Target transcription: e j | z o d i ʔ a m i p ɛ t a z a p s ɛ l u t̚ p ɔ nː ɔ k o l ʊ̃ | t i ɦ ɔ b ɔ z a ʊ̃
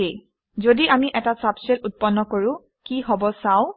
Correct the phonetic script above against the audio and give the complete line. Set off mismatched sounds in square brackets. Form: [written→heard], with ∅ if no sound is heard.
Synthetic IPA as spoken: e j | z o d i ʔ a m i [p→ʔ] ɛ t a [z→s] a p s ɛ l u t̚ p ɔ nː ɔ k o [l→ɹ] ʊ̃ | [t→k] i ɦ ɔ b ɔ [z→s] a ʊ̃

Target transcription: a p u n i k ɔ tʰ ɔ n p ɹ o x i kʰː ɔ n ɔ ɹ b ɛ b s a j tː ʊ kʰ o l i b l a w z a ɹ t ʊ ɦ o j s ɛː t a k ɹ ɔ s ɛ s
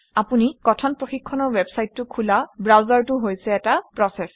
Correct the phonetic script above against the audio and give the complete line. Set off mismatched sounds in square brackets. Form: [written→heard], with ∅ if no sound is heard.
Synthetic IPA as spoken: a p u n i k ɔ tʰ ɔ n p ɹ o x i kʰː ɔ n ɔ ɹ [b→w] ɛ b s a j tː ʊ kʰ [o→u] l [i→a] b [l→ɹ] a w z a ɹ t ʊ ɦ o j s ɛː t a [k→p] ɹ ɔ s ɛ s

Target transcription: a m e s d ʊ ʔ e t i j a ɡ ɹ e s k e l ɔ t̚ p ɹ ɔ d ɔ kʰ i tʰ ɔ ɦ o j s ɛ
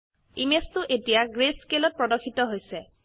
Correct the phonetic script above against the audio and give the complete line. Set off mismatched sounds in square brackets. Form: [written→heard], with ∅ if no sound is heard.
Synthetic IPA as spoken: [a→i] m e s [d→t] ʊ ʔ e t i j a ɡ ɹ e s k e l ɔ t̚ p ɹ ɔ d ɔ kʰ i [tʰ→t] ɔ ɦ o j s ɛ

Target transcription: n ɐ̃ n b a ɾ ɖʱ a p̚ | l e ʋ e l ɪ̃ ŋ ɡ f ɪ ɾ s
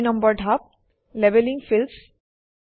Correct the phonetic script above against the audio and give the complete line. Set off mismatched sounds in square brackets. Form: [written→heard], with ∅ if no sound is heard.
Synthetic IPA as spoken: n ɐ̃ [n→m] b [a→ə] ɾ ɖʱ a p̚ | l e ʋ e l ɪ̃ ŋ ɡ f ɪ [ɾ→l] s

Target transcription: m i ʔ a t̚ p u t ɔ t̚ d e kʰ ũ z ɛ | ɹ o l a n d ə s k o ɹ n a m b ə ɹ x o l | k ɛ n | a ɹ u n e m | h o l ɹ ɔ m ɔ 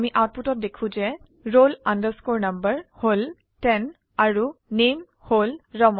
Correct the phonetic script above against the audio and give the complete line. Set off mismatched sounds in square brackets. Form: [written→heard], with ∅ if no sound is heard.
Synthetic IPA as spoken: m i ʔ a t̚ p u t ɔ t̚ d e kʰ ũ z ɛ | ɹ o l a n d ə s k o ɹ n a m b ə ɹ [x→h] o l | [k→t] ɛ n | a ɹ u n e m | h o l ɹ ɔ m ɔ

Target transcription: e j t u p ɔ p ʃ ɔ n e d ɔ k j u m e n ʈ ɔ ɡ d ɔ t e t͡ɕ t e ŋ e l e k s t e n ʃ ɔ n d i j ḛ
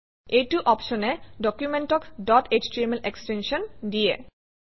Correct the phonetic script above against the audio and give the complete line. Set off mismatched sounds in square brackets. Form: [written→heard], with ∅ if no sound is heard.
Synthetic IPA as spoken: e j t u [p→ʔ] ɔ p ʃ ɔ n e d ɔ k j u m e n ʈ ɔ [ɡ→k] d ɔ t e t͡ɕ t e [ŋ→m] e l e k s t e n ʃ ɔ n d i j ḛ

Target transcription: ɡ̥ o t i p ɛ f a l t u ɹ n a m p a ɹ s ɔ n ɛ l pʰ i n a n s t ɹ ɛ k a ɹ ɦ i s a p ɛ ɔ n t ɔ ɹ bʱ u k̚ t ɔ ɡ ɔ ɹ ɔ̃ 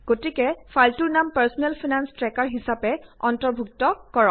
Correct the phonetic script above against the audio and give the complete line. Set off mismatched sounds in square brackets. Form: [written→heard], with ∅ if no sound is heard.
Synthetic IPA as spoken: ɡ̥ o t i [p→k] ɛ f a l t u ɹ n a m p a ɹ s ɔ n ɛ l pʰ i n a n s t ɹ ɛ k a ɹ ɦ i s a p ɛ ɔ n t ɔ ɹ bʱ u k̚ t ɔ [ɡ→k] ɔ ɹ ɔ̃

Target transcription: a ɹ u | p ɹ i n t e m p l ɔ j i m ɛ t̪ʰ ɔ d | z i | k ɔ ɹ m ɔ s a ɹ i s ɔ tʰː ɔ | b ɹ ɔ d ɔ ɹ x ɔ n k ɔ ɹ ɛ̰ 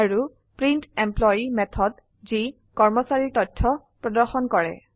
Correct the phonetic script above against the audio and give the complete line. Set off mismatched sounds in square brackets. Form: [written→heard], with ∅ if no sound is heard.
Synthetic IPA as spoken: a ɹ u | p ɹ i n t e m p l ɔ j i m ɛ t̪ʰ ɔ d | z i | k ɔ ɹ m ɔ s a ɹ i [s→t] ɔ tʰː ɔ | [b→p] ɹ ɔ d ɔ ɹ x ɔ n k ɔ ɹ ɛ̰

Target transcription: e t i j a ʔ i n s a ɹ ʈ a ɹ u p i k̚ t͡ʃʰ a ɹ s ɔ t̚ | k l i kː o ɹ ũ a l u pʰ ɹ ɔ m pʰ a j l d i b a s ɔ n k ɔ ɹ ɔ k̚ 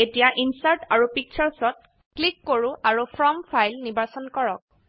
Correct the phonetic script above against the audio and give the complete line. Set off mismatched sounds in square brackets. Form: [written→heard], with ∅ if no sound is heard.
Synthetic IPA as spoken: e t i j a ʔ i n s a ɹ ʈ a ɹ u p i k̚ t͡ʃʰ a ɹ s ɔ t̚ | k l i kː o ɹ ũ a [l→ɹ] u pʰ ɹ ɔ m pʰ a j l [d→n] i b a s ɔ n k ɔ ɹ ɔ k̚

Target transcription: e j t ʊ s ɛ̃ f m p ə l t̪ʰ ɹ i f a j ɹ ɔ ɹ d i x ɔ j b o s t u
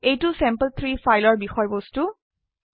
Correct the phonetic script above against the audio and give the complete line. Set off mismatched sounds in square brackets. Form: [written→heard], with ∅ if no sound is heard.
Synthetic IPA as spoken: e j t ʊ s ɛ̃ [f→∅] m p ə l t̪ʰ ɹ i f a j [ɹ→l] ɔ ɹ [d→b] i x ɔ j b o s t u

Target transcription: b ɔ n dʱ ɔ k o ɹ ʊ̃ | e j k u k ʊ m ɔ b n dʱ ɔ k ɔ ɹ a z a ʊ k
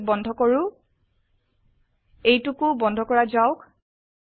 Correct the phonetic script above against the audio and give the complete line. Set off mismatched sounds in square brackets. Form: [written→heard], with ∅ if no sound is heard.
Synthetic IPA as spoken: b ɔ n dʱ ɔ k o ɹ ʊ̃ | e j [k→t] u k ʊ [m→b] ɔ [b→∅] n dʱ ɔ k ɔ ɹ a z a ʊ k

